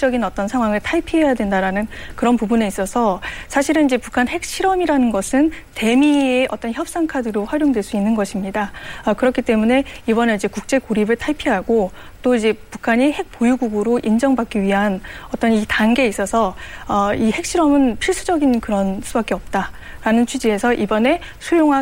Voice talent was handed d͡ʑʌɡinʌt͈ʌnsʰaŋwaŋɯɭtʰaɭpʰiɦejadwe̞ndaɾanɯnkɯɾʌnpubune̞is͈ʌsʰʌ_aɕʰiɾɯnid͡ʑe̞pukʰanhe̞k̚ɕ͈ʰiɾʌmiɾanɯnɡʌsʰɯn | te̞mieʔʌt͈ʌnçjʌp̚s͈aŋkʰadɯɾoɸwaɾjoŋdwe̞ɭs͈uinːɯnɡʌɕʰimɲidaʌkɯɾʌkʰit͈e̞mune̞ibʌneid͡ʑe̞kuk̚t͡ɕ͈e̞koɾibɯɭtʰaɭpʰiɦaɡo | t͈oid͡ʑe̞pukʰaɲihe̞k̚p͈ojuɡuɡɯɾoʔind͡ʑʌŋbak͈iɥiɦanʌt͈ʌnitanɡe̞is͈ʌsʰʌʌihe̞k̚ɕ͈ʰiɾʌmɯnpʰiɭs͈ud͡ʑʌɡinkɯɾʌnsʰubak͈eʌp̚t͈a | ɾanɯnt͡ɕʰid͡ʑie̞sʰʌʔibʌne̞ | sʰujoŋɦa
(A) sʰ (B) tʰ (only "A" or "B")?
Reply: A